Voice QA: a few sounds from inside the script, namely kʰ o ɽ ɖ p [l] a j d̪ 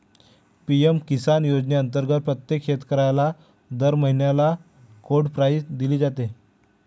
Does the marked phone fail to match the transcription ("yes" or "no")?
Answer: yes